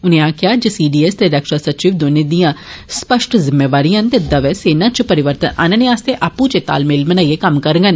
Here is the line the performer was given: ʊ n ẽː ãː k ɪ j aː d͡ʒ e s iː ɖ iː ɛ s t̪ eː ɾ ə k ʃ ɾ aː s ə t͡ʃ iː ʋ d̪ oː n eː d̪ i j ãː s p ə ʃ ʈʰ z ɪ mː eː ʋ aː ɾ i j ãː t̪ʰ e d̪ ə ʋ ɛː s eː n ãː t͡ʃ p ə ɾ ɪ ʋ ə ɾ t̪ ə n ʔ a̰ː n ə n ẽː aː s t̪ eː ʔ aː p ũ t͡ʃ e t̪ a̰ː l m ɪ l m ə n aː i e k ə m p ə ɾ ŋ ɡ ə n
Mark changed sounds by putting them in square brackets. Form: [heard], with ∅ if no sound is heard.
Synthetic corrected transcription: ʊ n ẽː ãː k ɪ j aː d͡ʒ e s iː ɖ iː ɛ s t̪ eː ɾ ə k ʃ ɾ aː s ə t͡ʃ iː ʋ d̪ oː n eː d̪ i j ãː s p ə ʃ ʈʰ z ɪ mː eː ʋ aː ɾ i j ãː [t̪] e d̪ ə ʋ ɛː s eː n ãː t͡ʃ p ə ɾ ɪ ʋ ə ɾ t̪ ə n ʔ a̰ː n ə n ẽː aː s t̪ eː ʔ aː p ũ t͡ʃ e t̪ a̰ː l m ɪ l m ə n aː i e k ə m [k] ə ɾ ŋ ɡ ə n